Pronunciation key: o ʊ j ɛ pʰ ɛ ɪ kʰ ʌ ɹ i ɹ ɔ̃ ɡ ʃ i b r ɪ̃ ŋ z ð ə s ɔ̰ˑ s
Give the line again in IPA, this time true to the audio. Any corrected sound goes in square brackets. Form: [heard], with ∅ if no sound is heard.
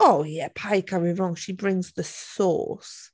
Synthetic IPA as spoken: o ʊ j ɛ pʰ [a] ɪ kʰ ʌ ɹ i ɹ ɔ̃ [ŋ] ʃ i b [ɹ] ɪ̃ ŋ z ð ə s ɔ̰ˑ s